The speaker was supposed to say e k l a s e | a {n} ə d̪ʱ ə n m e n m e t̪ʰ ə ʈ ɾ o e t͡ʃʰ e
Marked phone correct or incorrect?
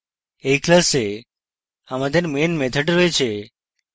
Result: incorrect